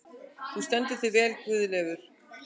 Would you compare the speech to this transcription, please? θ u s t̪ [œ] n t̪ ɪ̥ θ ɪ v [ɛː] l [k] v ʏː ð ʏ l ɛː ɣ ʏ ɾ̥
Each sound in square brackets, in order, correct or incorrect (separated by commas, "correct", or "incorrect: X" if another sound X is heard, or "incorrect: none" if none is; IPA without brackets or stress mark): incorrect: ɛ, correct, correct